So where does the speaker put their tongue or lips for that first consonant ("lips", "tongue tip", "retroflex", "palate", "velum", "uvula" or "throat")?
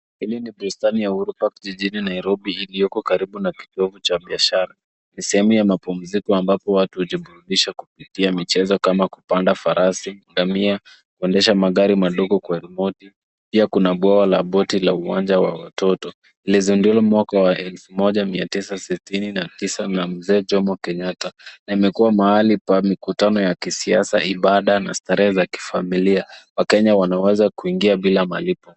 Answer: throat